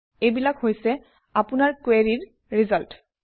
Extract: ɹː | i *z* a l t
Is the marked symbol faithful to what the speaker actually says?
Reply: yes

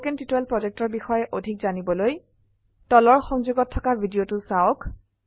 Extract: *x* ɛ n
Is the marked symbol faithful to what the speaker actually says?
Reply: no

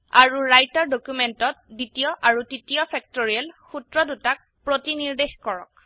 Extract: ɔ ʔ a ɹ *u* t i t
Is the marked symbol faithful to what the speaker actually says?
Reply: yes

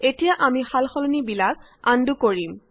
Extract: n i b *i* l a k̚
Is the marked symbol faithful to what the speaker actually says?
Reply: yes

